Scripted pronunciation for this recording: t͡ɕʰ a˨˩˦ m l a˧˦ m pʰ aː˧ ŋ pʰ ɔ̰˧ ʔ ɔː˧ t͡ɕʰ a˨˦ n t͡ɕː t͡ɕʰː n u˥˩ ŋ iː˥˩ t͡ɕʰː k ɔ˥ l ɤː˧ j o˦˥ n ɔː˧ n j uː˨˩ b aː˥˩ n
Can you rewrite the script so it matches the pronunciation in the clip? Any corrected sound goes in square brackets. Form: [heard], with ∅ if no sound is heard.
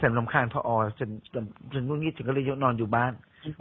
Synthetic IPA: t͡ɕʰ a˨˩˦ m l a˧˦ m [kʰ] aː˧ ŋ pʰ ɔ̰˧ ʔ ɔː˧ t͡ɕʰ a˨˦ n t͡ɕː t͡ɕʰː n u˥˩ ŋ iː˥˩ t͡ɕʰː k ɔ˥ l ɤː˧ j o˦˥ n ɔː˧ n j uː˨˩ b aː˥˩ n